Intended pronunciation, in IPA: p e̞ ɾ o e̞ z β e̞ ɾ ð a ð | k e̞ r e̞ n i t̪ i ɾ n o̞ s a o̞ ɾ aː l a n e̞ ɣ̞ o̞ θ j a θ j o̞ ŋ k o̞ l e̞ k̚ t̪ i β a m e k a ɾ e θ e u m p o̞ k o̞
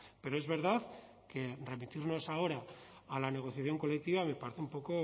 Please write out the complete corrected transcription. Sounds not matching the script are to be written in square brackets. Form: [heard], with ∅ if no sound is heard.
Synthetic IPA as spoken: p e̞ ɾ o e̞ z β e̞ ɾ ð a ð | k e̞ r e̞ [m] i t̪ i ɾ n o̞ s a o̞ ɾ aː l a n e̞ ɣ̞ o̞ θ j a θ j o̞ ŋ k o̞ l e̞ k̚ t̪ i β a m e [p] a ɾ e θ e u m p o̞ k o̞

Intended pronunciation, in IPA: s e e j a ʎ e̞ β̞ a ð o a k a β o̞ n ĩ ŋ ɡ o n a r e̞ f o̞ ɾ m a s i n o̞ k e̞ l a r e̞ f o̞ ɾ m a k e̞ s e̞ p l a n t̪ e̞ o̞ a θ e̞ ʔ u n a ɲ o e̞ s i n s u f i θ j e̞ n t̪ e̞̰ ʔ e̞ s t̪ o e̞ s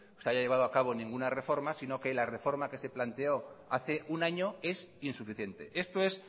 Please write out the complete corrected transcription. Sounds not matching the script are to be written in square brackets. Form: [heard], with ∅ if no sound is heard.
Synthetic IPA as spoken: s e [a] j a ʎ e̞ β̞ a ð o a k a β o̞ n ĩ ŋ ɡ [u] n a r e̞ f o̞ ɾ m a s i n o̞ k e̞ l a r e̞ f o̞ ɾ m a k e̞ s e̞ p l a n t̪ e̞ o̞ a θ e̞ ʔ u n a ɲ o e̞ s i n s u f i θ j e̞ n t̪ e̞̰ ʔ e̞ s t̪ o e̞ s

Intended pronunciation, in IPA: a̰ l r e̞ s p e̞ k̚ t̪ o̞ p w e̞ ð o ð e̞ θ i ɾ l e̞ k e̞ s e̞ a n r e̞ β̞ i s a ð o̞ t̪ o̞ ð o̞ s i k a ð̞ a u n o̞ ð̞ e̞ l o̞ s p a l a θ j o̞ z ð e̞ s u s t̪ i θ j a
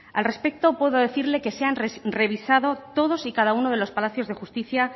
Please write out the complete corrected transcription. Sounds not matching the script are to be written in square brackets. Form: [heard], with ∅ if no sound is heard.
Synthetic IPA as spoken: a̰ l r e̞ s p e̞ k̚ t̪ o̞ p w e̞ ð o ð e̞ θ i ɾ l e̞ k e̞ s e̞ a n r e̞ β̞ i s a ð o̞ t̪ o̞ ð o̞ s i k a ð̞ a u n o̞ ð̞ e̞ l o̞ s p a l a θ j o̞ z ð e̞ [x] u s t̪ i θ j a

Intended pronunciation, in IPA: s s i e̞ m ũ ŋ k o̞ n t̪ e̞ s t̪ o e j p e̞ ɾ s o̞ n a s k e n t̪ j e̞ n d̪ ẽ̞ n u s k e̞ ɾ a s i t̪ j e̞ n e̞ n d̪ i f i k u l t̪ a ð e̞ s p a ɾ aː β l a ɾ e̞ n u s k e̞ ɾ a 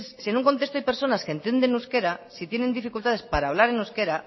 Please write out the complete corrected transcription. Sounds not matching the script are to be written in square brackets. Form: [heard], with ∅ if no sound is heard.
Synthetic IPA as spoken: s s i e̞ [n] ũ ŋ k o̞ n t̪ e̞ s t̪ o [a] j p e̞ ɾ s o̞ n a s k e n t̪ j e̞ n d̪ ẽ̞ n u s k e̞ ɾ a s i t̪ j e̞ n e̞ n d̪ i f i k u l t̪ a ð e̞ s p a ɾ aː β l a ɾ e̞ n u s k e̞ ɾ a

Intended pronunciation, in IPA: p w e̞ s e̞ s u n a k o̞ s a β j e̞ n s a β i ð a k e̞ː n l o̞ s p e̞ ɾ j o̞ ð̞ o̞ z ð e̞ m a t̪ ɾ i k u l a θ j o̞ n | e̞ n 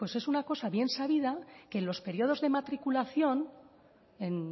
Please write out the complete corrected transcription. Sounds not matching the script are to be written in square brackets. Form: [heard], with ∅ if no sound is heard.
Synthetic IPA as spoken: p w e̞ s e̞ s u n a k o̞ s a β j e̞ n s a β i ð a k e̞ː n l o̞ s p e̞ ɾ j o̞ ð̞ o̞ z ð e̞ m a t̪ ɾ i k u l a θ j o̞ n | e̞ n

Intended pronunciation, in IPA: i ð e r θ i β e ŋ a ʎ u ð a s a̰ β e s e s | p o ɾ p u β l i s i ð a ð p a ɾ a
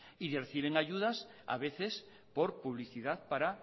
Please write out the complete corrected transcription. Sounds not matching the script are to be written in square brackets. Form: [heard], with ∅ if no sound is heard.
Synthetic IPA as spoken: i ð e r θ i β e ŋ a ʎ u ð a s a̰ β e [θ] e s | p o ɾ p u β l i [θ] i ð a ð p a ɾ a

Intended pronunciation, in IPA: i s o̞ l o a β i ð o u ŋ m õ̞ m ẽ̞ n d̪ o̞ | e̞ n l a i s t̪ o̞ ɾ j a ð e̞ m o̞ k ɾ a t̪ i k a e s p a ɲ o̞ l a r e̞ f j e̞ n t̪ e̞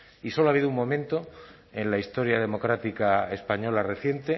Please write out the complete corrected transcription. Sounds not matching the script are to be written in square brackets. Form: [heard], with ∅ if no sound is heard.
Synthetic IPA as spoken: i s o̞ l o a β i ð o u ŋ m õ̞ m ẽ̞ n [t̪] o̞ | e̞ n l a i s t̪ o̞ ɾ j a ð e̞ m o̞ k ɾ a t̪ i k a e s p a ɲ o̞ l a r e̞ [θ] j e̞ n t̪ e̞

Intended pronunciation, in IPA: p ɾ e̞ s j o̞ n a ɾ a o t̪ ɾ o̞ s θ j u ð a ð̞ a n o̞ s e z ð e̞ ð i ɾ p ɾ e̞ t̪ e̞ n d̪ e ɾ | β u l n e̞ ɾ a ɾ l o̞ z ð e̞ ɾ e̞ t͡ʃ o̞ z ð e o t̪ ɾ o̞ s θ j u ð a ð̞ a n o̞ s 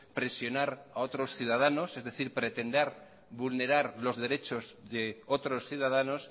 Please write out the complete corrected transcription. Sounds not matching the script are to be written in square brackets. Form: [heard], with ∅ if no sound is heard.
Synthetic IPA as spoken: p ɾ e̞ s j o̞ n a ɾ a o t̪ ɾ o̞ s θ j u ð a ð̞ a n o̞ s e z ð e̞ [θ] i ɾ p ɾ e̞ t̪ e̞ n d̪ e ɾ | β u l n e̞ ɾ a ɾ l o̞ z ð e̞ ɾ e̞ t͡ʃ o̞ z ð e o t̪ ɾ o̞ s θ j u ð a ð̞ a n o̞ s

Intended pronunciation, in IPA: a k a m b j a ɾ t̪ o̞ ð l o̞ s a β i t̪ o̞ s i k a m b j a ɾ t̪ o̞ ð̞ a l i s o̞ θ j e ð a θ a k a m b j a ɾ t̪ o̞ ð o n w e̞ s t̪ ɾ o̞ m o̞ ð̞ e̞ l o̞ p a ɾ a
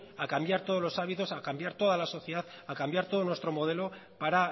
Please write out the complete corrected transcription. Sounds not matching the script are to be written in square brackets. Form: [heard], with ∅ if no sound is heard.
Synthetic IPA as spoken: a k a m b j a ɾ t̪ o̞ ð l o̞ s a β i t̪ o̞ s [a] k a m b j a ɾ t̪ o̞ ð̞ a l [a] s o̞ θ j e ð a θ a k a m b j a ɾ t̪ o̞ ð o n w e̞ s t̪ ɾ o̞ m o̞ ð̞ e̞ l o̞ p a ɾ a

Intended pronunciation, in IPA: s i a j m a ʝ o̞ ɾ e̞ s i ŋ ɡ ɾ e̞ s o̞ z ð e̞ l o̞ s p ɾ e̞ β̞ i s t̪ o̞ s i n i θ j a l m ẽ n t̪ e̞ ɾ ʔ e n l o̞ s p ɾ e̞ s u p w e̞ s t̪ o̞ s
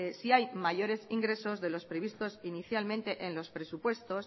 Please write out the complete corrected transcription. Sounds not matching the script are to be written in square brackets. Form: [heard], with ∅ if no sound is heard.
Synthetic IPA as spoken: s i a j m a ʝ o̞ ɾ e̞ s i ŋ ɡ ɾ e̞ s o̞ z ð e̞ l o̞ s p ɾ e̞ β̞ i s t̪ o̞ s i n i θ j a l m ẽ n t̪ e̞ [∅] ʔ e n l o̞ s p ɾ e̞ s u p w e̞ s t̪ o̞ s

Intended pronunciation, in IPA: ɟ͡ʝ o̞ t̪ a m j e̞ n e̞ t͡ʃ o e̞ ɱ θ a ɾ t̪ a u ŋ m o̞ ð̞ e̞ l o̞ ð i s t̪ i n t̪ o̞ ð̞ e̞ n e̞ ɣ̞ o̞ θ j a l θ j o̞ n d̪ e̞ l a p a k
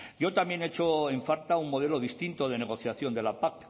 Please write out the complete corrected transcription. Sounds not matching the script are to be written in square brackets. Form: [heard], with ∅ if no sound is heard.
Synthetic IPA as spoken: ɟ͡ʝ o̞ t̪ a m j e̞ n e̞ t͡ʃ o e̞ ɱ [f] a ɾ t̪ a u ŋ m o̞ ð̞ e̞ l o̞ ð i s t̪ i n t̪ o̞ ð̞ e̞ n e̞ ɣ̞ o̞ θ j a [∅] θ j o̞ n d̪ e̞ l a p a k

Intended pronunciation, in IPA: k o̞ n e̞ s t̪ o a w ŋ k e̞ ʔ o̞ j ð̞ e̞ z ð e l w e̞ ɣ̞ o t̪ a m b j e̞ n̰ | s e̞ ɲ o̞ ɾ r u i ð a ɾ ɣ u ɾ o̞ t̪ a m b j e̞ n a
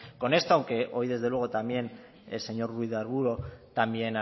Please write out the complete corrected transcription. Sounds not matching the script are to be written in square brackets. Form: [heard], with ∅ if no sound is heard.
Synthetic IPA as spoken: k o̞ n e̞ s t̪ o a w ŋ k e̞ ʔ o̞ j ð̞ e̞ z ð e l w e̞ ɣ̞ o t̪ a m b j e̞ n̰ | s e̞ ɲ o̞ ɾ r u i ð a ɾ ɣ u ɾ o̞ t̪ a m b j e̞ n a

